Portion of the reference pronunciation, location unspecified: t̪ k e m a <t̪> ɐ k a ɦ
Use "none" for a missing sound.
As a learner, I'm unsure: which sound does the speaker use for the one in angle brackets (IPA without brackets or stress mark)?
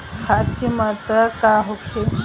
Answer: t̪